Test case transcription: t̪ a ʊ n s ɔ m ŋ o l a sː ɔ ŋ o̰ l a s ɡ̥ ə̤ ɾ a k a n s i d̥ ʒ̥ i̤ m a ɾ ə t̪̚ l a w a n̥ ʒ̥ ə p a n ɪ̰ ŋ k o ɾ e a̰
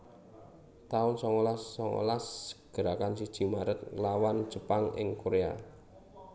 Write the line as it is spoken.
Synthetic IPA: t̪ a ʊ n s ɔ ŋ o l a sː ɔ ŋ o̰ l a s ɡ̥ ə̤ ɾ a k a n s i d̥ ʒ̥ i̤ m a ɾ ə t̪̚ l a w a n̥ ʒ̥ ə p a ŋ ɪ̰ ŋ k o ɾ e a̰